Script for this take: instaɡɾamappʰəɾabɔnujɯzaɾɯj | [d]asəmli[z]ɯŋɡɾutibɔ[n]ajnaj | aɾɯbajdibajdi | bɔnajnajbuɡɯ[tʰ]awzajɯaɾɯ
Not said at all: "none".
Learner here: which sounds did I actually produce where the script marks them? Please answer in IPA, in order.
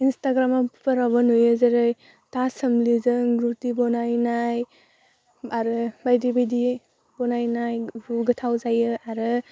t, z, n, tʰ

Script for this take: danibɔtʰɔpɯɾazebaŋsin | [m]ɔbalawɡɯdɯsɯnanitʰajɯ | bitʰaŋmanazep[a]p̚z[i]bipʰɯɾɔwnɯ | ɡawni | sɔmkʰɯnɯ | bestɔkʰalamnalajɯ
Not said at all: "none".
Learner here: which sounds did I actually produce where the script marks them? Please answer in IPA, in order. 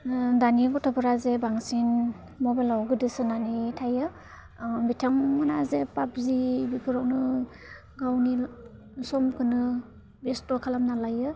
m, a, i

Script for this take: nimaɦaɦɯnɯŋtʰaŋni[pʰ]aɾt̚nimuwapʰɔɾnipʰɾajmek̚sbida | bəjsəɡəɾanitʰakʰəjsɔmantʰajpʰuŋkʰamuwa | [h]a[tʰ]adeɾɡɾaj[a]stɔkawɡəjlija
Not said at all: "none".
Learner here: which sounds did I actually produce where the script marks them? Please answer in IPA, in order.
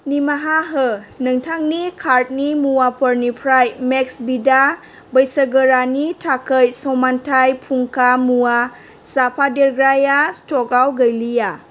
kʰ, s, pʰ, a

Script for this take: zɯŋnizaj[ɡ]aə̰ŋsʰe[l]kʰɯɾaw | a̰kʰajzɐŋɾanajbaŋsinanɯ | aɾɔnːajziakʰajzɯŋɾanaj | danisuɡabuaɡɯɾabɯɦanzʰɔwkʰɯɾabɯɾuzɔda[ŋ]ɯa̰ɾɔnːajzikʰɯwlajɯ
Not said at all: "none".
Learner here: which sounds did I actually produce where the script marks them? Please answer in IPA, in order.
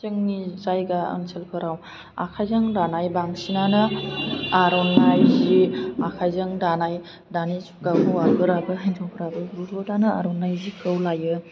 ɡ, l, n

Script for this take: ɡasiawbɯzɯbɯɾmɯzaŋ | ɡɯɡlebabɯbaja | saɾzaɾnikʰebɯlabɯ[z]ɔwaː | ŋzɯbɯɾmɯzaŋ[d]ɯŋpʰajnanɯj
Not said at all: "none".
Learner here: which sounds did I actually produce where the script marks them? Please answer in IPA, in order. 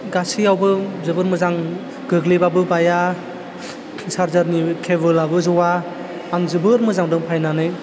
z, d

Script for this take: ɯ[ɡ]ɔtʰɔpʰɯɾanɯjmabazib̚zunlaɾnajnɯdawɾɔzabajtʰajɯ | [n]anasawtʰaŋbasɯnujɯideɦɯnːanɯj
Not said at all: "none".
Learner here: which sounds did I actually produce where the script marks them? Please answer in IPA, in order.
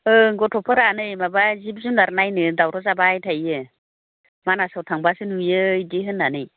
ɡ, m

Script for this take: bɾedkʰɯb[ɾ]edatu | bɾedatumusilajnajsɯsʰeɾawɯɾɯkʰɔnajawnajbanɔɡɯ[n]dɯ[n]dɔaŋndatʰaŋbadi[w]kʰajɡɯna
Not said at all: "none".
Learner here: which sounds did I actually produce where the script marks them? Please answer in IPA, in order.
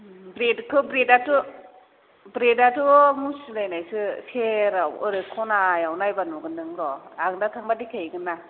ɾ, n, ŋ, none

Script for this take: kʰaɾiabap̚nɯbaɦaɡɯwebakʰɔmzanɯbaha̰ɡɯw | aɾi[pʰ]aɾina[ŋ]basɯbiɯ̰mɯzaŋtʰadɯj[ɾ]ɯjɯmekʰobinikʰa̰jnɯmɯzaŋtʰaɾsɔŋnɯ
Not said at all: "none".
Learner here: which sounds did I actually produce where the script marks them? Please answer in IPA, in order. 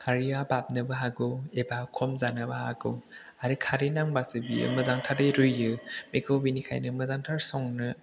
kʰ, ŋ, ɾ

